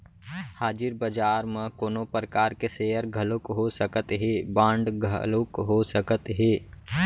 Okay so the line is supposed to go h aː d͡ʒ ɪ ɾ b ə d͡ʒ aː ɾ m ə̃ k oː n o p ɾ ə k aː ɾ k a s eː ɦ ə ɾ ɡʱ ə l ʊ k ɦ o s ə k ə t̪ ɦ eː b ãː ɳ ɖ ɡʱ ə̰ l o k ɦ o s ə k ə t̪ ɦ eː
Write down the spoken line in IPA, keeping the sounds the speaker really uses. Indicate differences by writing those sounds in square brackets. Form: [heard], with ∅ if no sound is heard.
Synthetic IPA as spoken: h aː d͡ʒ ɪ ɾ b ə d͡ʒ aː ɾ m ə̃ k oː n o p ɾ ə k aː ɾ k [e] s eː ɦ ə ɾ ɡʱ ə l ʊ k ɦ o s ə k ə t̪ ɦ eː b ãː ɳ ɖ ɡʱ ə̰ l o k ɦ o s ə k ə t̪ ɦ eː